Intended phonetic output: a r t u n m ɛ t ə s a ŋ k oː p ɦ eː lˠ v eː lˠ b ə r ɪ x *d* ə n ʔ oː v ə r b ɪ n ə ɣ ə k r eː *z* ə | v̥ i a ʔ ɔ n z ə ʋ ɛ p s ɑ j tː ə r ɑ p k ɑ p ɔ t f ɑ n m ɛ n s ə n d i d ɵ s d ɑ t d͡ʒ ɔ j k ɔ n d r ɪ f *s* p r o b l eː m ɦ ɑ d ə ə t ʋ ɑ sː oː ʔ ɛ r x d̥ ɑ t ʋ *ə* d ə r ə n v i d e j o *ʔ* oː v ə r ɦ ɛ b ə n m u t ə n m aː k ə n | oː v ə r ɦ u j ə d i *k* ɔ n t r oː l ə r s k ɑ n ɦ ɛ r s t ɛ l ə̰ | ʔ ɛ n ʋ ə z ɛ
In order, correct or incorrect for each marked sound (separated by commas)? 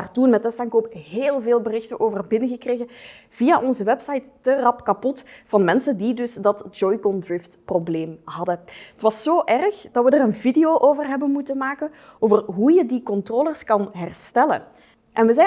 incorrect, incorrect, incorrect, correct, correct, correct